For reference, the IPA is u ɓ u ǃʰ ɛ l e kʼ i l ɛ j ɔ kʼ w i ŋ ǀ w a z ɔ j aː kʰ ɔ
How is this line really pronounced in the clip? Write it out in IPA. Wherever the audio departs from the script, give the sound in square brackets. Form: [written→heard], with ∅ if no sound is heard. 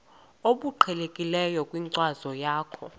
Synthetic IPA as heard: [u→o] ɓ u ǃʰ ɛ l e kʼ i l ɛ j ɔ kʼ w i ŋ ǀ w a z ɔ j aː kʰ ɔ